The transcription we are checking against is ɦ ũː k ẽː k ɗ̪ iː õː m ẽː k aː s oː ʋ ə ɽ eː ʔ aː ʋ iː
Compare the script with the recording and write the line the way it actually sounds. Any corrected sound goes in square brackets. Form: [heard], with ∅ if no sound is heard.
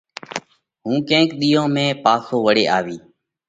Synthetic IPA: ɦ ũː k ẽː k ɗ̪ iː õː m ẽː [p] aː s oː ʋ ə ɽ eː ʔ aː ʋ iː